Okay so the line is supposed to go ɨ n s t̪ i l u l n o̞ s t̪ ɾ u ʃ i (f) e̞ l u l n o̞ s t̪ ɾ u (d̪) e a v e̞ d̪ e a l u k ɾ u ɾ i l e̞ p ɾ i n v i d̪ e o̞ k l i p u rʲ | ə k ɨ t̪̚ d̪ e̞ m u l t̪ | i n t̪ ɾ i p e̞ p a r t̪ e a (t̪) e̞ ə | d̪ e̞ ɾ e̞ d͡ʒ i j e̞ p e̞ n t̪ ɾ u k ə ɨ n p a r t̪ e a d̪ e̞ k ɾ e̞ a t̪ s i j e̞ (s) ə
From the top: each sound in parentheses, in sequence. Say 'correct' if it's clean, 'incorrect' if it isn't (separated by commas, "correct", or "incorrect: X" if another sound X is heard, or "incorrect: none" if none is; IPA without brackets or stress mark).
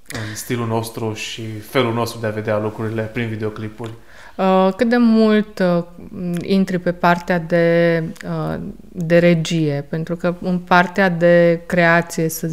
correct, correct, incorrect: d̪, correct